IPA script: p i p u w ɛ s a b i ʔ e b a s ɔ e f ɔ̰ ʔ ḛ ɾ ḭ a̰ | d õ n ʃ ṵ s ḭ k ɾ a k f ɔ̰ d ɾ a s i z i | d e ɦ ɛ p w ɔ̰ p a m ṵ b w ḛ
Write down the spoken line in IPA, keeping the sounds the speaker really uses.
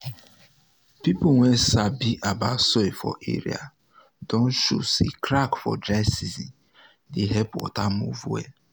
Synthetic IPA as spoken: p i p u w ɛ s a b i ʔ a b a s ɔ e f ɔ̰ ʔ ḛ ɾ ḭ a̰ | d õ n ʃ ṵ s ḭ k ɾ a k f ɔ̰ d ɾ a s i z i | d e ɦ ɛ p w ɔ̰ t a m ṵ v w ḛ